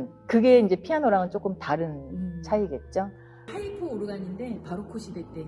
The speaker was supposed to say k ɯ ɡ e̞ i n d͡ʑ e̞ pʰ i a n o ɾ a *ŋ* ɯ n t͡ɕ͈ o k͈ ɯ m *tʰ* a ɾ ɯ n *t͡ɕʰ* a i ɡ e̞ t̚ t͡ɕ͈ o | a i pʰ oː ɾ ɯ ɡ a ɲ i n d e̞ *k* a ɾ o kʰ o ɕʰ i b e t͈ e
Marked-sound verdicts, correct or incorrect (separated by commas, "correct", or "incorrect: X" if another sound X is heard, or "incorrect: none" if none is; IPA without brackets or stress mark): correct, incorrect: t, correct, incorrect: p